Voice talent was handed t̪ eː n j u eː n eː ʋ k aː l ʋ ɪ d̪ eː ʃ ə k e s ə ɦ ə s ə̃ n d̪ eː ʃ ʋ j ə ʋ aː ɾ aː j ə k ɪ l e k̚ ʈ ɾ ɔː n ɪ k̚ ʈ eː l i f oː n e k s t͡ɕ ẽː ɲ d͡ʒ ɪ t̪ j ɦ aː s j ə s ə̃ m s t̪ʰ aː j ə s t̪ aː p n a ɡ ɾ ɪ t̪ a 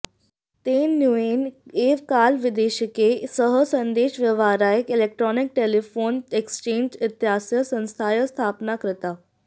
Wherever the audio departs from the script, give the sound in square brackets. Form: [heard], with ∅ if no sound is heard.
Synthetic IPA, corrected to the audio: t̪ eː n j u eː n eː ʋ k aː l ʋ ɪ d̪ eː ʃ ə k e s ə ɦ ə s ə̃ n d̪ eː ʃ ʋ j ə ʋ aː ɾ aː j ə k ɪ l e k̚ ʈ ɾ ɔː n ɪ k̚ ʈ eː l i f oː n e k s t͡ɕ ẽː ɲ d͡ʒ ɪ t̪ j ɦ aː s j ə s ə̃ [n] s t̪ʰ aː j ə s [t̪ʰ] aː p n a [k] ɾ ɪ t̪ a